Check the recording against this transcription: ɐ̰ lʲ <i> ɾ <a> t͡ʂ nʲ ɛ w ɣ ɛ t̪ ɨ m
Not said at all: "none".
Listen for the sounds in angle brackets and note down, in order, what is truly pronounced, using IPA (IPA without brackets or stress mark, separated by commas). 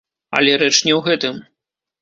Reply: ɛ, ɛ